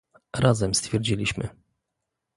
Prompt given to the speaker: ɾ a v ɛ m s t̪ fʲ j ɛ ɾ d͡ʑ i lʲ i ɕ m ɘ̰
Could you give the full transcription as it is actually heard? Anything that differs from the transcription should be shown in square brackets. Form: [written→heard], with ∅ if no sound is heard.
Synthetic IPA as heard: ɾ a [v→z] ɛ m s t̪ fʲ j ɛ ɾ d͡ʑ i lʲ i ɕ m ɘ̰